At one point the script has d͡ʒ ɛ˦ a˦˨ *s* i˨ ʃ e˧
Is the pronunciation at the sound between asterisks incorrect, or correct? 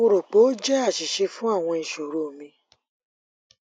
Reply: incorrect